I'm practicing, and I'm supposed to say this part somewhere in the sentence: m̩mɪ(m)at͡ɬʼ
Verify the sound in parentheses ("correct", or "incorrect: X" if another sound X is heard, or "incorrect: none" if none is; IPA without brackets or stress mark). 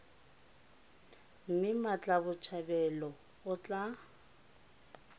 correct